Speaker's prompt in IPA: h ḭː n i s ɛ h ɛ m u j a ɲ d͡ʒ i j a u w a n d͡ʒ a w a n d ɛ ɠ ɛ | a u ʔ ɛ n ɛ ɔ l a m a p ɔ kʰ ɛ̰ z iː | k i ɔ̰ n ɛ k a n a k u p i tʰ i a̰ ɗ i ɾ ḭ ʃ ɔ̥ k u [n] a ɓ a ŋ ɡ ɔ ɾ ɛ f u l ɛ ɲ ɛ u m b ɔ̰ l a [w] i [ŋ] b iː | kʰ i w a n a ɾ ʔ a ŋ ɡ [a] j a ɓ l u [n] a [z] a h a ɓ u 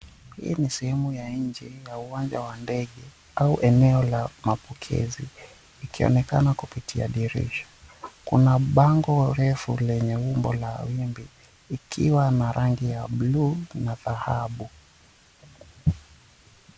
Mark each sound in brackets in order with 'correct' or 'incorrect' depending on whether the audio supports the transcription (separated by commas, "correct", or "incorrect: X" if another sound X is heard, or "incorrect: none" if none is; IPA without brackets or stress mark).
correct, correct, incorrect: m, incorrect: i, correct, incorrect: ð